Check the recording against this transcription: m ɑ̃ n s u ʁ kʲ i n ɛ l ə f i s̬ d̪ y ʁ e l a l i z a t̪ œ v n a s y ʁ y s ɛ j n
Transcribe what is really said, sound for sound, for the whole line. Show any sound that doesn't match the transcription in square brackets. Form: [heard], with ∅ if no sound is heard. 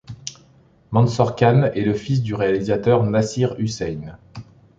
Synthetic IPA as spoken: m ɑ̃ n s [ɔ] ʁ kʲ [a] n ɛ l ə f i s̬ d̪ y ʁ e [∅] a l i z a t̪ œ [ʁ] n a s [i] ʁ y s ɛ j n